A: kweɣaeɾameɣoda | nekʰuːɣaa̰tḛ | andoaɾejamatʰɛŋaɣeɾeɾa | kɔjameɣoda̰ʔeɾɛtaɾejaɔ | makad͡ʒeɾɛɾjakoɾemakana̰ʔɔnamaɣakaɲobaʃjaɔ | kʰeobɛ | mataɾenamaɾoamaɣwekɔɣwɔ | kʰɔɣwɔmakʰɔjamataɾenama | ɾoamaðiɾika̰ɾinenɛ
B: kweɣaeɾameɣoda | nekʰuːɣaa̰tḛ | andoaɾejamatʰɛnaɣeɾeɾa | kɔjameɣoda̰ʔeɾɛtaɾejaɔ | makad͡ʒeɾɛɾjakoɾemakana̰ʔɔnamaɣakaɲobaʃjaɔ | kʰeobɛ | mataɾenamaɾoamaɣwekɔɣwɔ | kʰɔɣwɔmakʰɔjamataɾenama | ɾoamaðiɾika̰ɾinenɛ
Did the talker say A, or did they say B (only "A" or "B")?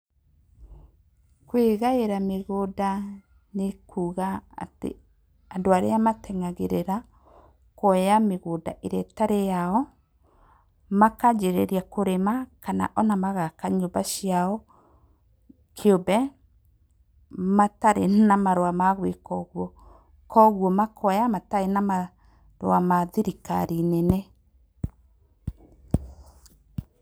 A